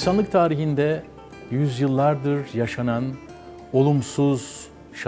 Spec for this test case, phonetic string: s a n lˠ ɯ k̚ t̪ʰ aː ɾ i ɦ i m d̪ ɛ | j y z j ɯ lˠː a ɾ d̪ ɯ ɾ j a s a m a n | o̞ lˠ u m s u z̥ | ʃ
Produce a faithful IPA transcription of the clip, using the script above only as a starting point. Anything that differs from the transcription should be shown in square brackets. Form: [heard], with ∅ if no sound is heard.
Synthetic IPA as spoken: s a n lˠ ɯ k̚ t̪ʰ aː ɾ i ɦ i [n] d̪ ɛ | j y z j ɯ lˠː a ɾ d̪ ɯ ɾ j a [ʃ] a [n] a n | o̞ lˠ u m s u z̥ | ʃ

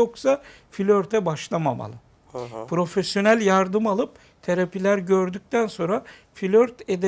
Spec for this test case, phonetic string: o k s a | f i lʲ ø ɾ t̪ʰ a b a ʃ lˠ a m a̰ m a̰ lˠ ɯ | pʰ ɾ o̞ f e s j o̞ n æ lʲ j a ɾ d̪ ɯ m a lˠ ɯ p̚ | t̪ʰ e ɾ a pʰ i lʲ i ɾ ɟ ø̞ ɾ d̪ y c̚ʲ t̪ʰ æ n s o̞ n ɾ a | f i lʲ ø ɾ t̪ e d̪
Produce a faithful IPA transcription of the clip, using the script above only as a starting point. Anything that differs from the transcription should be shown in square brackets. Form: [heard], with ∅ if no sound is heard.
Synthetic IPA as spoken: o k s a | f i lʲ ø ɾ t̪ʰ [ɛ] b a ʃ lˠ a m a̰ m a̰ lˠ ɯ | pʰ ɾ o̞ f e s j o̞ n æ lʲ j a ɾ d̪ ɯ m a lˠ ɯ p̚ | t̪ʰ e ɾ a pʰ i lʲ [æ] ɾ ɟ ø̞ ɾ d̪ y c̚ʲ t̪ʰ æ n s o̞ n ɾ a | f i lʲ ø ɾ t̪ e d̪

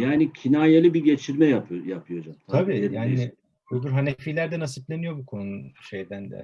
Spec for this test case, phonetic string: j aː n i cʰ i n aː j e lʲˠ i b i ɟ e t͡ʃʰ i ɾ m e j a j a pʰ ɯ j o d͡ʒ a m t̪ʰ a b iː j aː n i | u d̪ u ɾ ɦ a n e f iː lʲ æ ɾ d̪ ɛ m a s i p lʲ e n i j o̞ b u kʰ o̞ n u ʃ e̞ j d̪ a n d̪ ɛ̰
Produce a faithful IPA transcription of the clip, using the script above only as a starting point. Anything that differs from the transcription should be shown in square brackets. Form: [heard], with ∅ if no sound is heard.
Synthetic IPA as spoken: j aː n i cʰ i n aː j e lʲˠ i b i ɟ e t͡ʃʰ i ɾ m [ɛ] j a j a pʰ ɯ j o d͡ʒ a m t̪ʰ a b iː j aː n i | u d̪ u ɾ ɦ a n e f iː lʲ æ ɾ d̪ ɛ [n] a s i p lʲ e n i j o̞ b u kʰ o̞ n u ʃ e̞ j d̪ [æ] n d̪ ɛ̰

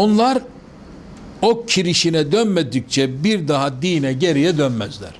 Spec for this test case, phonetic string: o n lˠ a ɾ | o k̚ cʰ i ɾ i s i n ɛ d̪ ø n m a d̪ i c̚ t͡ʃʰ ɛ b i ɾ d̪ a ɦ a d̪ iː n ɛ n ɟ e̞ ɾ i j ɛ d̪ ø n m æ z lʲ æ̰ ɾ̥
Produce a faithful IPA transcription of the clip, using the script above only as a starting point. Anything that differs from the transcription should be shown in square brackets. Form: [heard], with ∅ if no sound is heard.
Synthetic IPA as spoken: o n lˠ a ɾ | o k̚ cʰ i ɾ i [ʃ] i n ɛ d̪ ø n m [e] d̪ i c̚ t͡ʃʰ ɛ b i ɾ d̪ a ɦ a d̪ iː n ɛ [∅] ɟ e̞ ɾ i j ɛ d̪ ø n m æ z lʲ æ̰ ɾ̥

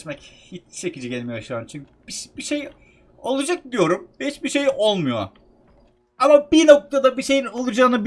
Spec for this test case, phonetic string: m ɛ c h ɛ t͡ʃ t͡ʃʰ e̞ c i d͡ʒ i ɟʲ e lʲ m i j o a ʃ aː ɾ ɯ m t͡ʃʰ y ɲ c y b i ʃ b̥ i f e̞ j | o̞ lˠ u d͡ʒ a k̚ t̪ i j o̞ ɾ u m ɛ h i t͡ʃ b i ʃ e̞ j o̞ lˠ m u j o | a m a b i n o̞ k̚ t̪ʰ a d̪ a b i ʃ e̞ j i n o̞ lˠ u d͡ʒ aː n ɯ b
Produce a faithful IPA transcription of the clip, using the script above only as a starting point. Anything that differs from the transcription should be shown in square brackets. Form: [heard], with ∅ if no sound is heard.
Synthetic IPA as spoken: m ɛ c h [i] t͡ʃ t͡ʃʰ e̞ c i d͡ʒ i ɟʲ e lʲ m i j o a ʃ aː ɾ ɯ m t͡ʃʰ y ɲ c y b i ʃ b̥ i [ʃ] e̞ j | o̞ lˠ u d͡ʒ a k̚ [d̪] i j o̞ ɾ u m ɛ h i t͡ʃ b i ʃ e̞ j o̞ lˠ m u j o | a m a b i n o̞ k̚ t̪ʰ a d̪ a b i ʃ e̞ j i n o̞ lˠ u d͡ʒ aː n ɯ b

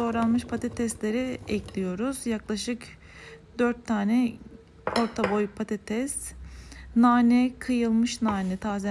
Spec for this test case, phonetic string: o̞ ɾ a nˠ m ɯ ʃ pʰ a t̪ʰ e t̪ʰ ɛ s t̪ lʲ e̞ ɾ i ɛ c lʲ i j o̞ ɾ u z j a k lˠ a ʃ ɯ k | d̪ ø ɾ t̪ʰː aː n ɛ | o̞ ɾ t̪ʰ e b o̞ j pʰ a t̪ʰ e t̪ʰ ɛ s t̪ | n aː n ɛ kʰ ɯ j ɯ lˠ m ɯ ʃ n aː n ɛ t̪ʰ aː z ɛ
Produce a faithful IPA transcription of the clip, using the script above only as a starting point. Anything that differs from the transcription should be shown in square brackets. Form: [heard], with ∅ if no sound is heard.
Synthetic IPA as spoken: o̞ ɾ a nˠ m ɯ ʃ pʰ a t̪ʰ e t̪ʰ ɛ s t̪ lʲ e̞ ɾ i ɛ c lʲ i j o̞ ɾ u z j a k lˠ a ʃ ɯ k | d̪ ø ɾ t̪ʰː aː n ɛ | o̞ ɾ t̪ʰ [a] b o̞ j pʰ a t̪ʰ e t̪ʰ ɛ s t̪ | n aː n ɛ kʰ ɯ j ɯ lˠ m ɯ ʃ n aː n ɛ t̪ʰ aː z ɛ

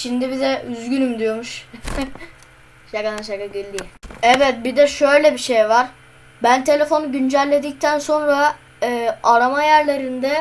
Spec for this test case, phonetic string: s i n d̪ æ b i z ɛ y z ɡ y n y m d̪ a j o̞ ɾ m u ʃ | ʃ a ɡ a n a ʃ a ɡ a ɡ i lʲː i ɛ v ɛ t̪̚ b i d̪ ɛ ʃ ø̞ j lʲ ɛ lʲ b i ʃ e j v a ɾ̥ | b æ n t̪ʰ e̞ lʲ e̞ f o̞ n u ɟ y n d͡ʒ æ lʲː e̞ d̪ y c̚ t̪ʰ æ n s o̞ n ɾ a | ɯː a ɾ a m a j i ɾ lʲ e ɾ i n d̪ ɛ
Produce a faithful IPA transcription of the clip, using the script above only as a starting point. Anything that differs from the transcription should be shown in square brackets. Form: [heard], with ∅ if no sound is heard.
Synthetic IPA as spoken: [ʃ] i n d̪ [i] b i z ɛ y z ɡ y n y m d̪ [i] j o̞ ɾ m u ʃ | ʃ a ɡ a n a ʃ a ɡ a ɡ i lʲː i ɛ v ɛ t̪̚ b i d̪ ɛ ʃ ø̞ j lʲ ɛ [∅] b i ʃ e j v a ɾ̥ | b æ n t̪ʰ e̞ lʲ e̞ f o̞ n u ɟ y n d͡ʒ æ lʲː e̞ d̪ [i] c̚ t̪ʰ æ n s o̞ n ɾ a | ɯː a ɾ a m a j [æ] ɾ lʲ e ɾ i n d̪ ɛ

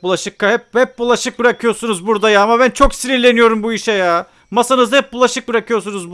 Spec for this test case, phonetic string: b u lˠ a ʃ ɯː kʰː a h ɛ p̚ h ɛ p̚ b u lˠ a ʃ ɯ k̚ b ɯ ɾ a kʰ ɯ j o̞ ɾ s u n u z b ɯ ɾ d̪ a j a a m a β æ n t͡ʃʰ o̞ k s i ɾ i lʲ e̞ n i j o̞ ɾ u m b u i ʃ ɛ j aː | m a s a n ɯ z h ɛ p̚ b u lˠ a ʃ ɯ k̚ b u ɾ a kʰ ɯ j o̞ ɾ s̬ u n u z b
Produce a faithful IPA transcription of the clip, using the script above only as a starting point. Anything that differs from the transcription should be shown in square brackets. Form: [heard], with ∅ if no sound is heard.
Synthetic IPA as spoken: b u lˠ a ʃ [ɯ] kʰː a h ɛ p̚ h ɛ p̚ b u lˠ a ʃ ɯ k̚ b ɯ ɾ a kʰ ɯ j o̞ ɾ s u n u z b [u] ɾ d̪ a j a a m a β æ n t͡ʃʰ o̞ k s i ɾ i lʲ e̞ n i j o̞ ɾ u m b u i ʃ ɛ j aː | m a s a n ɯ z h ɛ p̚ b u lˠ a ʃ ɯ k̚ b [ɯ] ɾ a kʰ ɯ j o̞ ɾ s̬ u n u z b

